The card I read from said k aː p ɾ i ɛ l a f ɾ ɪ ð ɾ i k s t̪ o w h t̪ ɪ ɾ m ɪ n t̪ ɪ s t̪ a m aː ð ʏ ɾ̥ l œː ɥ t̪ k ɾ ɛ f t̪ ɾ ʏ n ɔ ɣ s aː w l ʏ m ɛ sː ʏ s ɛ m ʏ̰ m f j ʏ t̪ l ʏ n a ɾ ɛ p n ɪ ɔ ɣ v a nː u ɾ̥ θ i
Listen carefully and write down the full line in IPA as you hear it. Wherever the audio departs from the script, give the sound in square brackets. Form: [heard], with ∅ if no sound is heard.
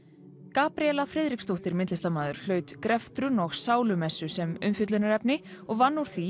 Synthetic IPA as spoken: k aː p ɾ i ɛ l a f ɾ ɪ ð ɾ i k s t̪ o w h t̪ ɪ ɾ m ɪ n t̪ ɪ s t̪ a m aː ð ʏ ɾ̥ l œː ɥ t̪ k ɾ ɛ f t̪ ɾ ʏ n ɔ ɣ s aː w l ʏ m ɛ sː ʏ s ɛ m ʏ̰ m f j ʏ t̪ l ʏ n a ɾ ɛ p n ɪ ɔ ɣ v a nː u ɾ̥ θ i